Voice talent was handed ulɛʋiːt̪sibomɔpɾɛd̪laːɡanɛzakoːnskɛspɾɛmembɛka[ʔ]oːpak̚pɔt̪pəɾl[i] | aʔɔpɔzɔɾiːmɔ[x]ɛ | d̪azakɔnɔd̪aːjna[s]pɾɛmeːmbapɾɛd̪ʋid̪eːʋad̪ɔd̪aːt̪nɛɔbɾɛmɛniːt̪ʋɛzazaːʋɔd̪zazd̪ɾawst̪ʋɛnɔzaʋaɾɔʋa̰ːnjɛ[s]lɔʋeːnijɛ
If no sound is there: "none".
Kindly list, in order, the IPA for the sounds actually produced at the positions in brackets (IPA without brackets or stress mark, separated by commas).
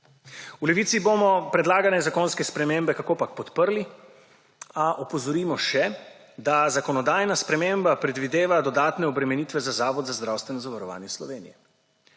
k, i, ʃ, s, s